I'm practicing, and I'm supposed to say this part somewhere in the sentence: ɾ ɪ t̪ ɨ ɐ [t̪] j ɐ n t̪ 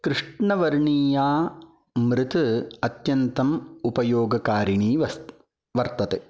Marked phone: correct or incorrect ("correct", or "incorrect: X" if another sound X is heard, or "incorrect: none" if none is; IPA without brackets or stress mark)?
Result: correct